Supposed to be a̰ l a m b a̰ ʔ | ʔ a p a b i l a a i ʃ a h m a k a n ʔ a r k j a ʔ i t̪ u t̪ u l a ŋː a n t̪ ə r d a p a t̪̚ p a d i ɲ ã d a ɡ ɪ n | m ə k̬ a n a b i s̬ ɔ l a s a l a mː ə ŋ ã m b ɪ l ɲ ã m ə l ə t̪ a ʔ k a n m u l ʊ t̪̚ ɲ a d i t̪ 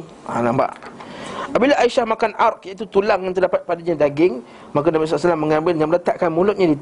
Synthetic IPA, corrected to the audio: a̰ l a m b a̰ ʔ | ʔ a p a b i l a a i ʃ a h m a k a n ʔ a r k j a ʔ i t̪ u t̪ u l a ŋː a n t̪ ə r d a p a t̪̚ p a d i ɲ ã d a ɡ ɪ ŋ | m a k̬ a n a b i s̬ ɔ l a s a l a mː ə ŋ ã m b ɪ l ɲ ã m ə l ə t̪ a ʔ k a n m u l ʊ t̪̚ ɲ a d i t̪